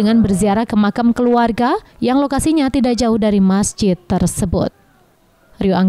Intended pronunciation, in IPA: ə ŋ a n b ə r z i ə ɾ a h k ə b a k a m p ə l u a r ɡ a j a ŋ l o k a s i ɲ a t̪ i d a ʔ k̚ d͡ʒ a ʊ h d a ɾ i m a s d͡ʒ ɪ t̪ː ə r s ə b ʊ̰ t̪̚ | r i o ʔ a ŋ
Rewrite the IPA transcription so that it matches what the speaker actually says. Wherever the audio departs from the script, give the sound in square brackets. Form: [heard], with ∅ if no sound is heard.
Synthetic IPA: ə ŋ a n b ə r z i [a] ɾ a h k ə [m] a k a m [k] ə l u a r ɡ a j a ŋ l o k a s i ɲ a t̪ i d a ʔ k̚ d͡ʒ a ʊ h d a ɾ i m a s d͡ʒ ɪ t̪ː ə r s ə b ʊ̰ t̪̚ | r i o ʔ a ŋ